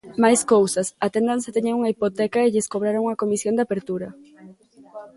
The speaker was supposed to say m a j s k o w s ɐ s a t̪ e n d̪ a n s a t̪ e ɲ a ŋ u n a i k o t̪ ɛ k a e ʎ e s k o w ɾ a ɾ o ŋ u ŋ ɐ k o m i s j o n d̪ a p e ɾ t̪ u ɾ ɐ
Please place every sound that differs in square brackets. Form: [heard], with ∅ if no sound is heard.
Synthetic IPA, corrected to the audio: m a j s k o w s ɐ s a t̪ e n d̪ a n s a t̪ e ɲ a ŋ u [ŋ] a i [p] o t̪ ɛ k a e ʎ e s k o [β] ɾ a ɾ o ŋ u ŋ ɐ k o m i s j o n d̪ a p e ɾ t̪ u ɾ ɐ